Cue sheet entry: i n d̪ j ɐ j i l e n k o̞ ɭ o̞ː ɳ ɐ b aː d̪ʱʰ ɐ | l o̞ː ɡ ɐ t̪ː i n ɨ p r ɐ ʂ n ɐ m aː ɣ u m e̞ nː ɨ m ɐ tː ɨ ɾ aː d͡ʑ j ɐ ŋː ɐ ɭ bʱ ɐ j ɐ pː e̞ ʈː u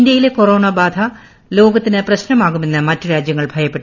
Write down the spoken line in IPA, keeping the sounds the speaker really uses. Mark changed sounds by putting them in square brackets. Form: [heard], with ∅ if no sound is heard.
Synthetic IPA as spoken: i n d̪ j ɐ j i l e [∅] k o̞ [r] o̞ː ɳ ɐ b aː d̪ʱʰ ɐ | l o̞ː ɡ ɐ t̪ː i n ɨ p r ɐ [ɕ] n ɐ m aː ɣ u m e̞ nː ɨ m ɐ tː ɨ ɾ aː d͡ʑ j ɐ ŋː ɐ ɭ bʱ ɐ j ɐ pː e̞ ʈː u